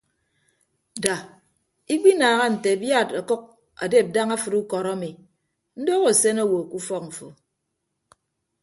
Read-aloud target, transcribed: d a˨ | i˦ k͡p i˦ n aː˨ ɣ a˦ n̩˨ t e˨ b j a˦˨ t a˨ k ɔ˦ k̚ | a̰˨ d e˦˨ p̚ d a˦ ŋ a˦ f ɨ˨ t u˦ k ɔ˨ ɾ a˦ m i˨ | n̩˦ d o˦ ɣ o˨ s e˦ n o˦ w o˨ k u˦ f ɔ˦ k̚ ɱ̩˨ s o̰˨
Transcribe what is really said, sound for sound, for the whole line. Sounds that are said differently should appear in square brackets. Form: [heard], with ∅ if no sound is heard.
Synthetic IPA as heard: d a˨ | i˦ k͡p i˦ n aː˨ ɣ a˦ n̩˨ t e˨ b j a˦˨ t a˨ k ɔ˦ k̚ | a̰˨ d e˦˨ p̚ d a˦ ŋ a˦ f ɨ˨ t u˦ k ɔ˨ ɾ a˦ m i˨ | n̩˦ d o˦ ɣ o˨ s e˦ n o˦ w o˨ k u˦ f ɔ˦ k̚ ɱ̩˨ [f] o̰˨